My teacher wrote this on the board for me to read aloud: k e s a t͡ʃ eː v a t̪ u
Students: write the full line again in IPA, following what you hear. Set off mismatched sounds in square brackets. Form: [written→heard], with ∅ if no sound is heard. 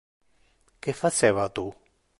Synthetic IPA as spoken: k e [s→f] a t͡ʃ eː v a t̪ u